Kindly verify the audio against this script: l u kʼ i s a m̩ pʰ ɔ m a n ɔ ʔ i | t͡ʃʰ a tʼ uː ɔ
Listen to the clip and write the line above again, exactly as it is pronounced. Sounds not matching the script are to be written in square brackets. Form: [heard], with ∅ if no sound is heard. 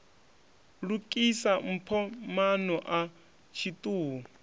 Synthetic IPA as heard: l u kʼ i s a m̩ pʰ ɔ m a n ɔ ʔ [a] | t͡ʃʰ [i] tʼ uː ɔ